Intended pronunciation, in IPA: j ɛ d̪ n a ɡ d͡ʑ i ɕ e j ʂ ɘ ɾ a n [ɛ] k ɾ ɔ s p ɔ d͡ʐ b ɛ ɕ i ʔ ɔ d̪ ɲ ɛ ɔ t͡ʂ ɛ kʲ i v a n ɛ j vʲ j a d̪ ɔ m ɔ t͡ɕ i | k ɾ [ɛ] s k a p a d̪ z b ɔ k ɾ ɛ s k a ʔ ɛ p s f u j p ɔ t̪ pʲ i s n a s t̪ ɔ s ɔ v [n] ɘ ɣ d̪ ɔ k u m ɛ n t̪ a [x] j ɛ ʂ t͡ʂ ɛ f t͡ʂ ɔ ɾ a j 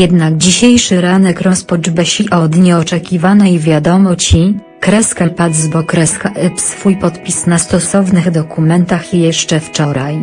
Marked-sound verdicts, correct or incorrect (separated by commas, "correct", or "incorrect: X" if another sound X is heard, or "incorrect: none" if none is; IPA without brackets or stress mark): correct, correct, correct, correct